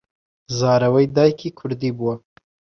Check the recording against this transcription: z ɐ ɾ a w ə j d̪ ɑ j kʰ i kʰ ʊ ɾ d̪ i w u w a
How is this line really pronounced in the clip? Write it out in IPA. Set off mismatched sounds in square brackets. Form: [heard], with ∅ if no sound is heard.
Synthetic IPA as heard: z [ɑ] ɾ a w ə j d̪ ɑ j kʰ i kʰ ʊ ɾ d̪ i [b] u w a